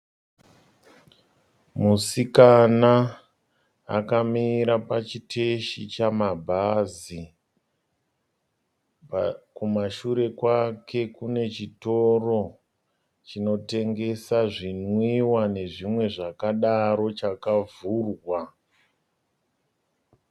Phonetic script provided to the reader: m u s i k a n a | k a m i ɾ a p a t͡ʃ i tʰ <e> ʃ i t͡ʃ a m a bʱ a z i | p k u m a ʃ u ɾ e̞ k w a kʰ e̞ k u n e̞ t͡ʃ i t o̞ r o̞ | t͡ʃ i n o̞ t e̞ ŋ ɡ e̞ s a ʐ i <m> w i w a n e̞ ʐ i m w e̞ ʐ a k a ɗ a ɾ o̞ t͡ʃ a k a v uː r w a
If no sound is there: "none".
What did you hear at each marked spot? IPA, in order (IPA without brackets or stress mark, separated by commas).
e, n